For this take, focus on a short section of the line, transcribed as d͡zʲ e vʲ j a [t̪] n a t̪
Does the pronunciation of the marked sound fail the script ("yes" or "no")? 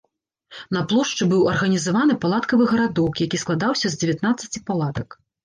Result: no